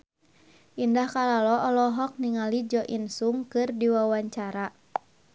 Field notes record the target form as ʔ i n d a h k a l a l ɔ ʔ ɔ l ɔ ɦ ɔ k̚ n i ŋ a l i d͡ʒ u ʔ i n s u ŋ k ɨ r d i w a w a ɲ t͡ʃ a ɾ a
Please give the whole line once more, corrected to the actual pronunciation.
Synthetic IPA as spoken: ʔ i n d a h k a l a l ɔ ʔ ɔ l ɔ ɦ ɔ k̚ n i ŋ a l i d͡ʒ ɔ ʔ i n s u ŋ k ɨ r d i w a w a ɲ t͡ʃ a ɾ a